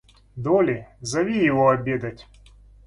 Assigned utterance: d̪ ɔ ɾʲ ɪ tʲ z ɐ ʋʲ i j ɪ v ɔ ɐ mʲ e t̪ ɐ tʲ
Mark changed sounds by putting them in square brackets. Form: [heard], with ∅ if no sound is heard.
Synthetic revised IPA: d̪ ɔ [lʲ] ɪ [∅] z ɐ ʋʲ i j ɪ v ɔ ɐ [bʲ] e [d̪] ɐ tʲ